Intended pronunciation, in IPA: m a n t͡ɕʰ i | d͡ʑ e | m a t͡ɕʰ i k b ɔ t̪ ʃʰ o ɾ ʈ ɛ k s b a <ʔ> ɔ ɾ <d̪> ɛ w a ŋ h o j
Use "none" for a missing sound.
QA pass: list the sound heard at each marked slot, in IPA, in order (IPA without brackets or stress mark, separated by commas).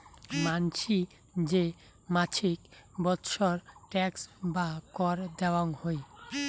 k, d̪